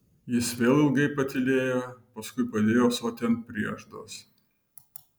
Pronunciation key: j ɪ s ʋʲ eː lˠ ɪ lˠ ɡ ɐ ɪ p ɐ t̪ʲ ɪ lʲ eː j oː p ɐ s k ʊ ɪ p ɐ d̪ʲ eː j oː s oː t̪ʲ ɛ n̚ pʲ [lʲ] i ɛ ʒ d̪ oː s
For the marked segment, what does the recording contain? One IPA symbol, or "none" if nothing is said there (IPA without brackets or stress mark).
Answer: ɾʲ